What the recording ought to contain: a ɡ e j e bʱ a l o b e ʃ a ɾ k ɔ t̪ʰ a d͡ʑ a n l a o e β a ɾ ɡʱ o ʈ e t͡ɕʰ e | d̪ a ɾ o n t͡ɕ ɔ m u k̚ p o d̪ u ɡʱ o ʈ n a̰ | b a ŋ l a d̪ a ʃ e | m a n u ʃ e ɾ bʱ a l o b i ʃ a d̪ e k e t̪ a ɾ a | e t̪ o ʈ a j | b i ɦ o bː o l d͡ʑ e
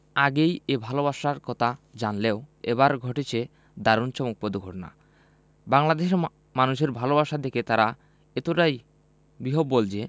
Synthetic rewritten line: a ɡ e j e bʱ a l o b a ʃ a ɾ k ɔ t̪ʰ a d͡ʑ a n l e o e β a ɾ ɡʱ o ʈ e t͡ɕʰ e | d̪ a ɾ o n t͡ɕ ɔ m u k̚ p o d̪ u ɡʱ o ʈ n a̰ | b a ŋ l a d̪ e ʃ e | m a n u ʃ e ɾ bʱ a l o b a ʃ a d̪ e k e t̪ a ɾ a | e t̪ o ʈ a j | b i ɦ o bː o l d͡ʑ e

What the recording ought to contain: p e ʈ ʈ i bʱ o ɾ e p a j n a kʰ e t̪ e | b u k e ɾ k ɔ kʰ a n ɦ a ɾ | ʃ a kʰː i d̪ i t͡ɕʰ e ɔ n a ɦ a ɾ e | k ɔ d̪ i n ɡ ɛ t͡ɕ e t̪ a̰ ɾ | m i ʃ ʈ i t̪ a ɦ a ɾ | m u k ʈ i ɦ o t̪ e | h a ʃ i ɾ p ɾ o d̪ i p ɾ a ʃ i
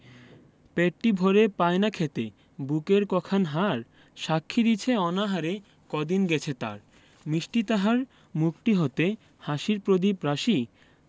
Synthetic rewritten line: p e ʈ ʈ i bʱ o ɾ e p a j n a kʰ e t̪ e | b u k e ɾ k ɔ kʰ a n ɦ a ɾ | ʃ a kʰː i d̪ i t͡ɕʰ e ɔ n a ɦ a ɾ e | k ɔ d̪ i n ɡ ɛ t͡ɕʰ e t̪ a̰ ɾ | m i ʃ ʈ i t̪ a ɦ a ɾ | m u k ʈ i ɦ o t̪ e | h a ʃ i ɾ p ɾ o d̪ i p ɾ a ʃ i

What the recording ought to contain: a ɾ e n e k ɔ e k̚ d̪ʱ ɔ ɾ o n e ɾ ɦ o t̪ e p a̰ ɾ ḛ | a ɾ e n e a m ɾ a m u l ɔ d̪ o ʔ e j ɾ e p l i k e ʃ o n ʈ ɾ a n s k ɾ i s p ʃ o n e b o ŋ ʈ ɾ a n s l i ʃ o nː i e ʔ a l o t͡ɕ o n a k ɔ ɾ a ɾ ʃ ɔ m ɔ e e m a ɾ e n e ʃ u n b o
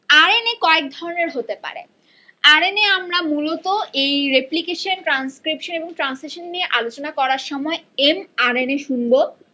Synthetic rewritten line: a ɾ e n e k ɔ e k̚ d̪ʱ ɔ ɾ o n e ɾ ɦ o t̪ e p a̰ ɾ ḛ | a ɾ e n e a m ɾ a m u l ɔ t̪ o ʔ e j ɾ e p l i k e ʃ o n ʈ ɾ a n s k ɾ i p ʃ o n e b o ŋ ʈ ɾ a n s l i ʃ o nː i e ʔ a l o t͡ɕ o n a k ɔ ɾ a ɾ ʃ ɔ m ɔ e e m a ɾ e n e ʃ u n b o

